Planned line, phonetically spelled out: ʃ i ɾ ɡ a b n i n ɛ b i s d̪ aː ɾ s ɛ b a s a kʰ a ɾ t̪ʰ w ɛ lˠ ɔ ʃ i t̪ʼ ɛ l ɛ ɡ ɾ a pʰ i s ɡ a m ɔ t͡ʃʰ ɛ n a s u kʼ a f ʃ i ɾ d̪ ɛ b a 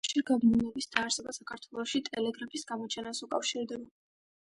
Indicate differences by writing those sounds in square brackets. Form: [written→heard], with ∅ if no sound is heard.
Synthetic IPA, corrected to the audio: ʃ i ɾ ɡ a b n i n ɛ b i s d̪ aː ɾ s ɛ b a s a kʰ a ɾ t̪ʰ w ɛ lˠ ɔ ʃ i t̪ʼ ɛ l ɛ ɡ ɾ a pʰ i s ɡ a m ɔ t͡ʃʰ ɛ n a s u kʼ a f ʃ i ɾ d̪ ɛ b a